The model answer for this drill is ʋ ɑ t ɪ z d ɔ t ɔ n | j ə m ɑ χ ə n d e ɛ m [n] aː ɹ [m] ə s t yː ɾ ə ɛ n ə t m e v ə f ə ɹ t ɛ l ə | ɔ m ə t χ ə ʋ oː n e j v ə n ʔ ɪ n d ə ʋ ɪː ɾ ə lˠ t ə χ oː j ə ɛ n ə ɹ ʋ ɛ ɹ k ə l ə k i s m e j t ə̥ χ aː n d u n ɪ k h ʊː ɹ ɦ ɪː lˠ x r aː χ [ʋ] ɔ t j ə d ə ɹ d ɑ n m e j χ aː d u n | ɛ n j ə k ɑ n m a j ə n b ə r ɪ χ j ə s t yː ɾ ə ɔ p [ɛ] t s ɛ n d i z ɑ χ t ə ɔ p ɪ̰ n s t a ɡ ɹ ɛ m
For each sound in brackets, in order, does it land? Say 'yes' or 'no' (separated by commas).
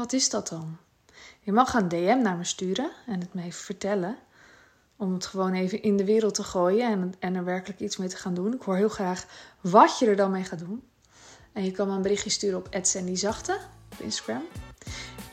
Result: yes, yes, yes, yes